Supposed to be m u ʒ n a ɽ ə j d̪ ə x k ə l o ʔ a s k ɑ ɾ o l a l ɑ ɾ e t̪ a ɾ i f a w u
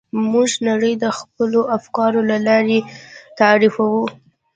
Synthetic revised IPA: m u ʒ n a ɽ ə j d̪ ə x p ə l o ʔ a f k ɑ ɾ o l a l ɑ ɾ e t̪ a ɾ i f a w u